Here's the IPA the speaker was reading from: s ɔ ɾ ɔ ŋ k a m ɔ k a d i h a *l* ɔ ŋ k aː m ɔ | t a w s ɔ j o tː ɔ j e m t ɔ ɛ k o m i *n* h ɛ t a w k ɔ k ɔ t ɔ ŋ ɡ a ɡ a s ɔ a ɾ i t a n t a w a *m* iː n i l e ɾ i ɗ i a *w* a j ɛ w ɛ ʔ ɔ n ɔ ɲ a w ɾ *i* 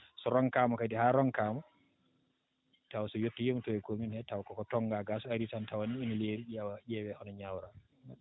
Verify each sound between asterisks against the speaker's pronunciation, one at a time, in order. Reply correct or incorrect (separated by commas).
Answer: incorrect, correct, incorrect, correct, incorrect